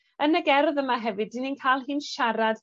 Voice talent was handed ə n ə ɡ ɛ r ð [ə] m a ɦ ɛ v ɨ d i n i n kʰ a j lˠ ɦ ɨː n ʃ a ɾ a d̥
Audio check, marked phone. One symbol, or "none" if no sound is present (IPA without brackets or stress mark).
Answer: ə